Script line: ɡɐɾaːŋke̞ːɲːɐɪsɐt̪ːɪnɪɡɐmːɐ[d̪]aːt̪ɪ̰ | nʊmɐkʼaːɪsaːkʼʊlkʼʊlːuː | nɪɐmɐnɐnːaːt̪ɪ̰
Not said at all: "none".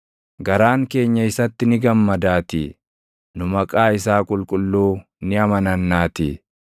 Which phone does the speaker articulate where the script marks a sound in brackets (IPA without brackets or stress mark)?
d̪